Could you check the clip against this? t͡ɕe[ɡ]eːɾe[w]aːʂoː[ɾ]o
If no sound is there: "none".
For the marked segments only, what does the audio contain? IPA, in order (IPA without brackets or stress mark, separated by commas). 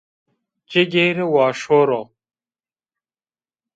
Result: ɡ, w, ɾ